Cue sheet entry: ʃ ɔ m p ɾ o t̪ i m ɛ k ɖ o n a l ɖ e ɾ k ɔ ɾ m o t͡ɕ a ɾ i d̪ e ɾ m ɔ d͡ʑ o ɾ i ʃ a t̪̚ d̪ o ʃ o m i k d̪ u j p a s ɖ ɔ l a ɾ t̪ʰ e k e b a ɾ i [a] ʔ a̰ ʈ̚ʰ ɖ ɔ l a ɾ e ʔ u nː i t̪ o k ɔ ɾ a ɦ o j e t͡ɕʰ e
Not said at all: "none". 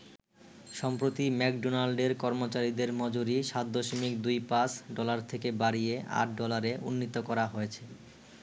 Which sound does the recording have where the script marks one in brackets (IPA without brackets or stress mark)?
e